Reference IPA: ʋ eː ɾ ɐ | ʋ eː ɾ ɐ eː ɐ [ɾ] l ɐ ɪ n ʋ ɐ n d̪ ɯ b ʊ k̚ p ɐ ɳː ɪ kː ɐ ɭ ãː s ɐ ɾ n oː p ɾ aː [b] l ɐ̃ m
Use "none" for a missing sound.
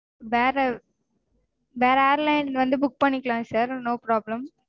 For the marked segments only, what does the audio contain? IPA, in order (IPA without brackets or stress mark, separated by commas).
ɾ, b